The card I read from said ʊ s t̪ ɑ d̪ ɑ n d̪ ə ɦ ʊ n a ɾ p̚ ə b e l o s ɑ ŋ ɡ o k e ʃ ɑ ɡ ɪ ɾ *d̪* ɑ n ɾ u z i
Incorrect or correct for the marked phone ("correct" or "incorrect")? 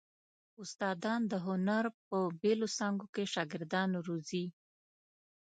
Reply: correct